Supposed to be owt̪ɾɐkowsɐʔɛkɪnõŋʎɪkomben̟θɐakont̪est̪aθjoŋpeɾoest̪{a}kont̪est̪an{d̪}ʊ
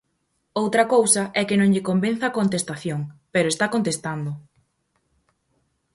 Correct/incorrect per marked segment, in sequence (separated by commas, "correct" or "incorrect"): correct, correct